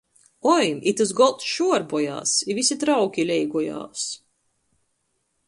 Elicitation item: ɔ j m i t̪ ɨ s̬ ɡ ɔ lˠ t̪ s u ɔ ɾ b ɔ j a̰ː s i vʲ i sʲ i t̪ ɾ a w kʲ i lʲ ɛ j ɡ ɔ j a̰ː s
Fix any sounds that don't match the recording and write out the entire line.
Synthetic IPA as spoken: ɔ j m i t̪ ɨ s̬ ɡ ɔ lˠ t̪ ʃ u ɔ ɾ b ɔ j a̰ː s i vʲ i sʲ i t̪ ɾ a w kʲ i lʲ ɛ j ɡ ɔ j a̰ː s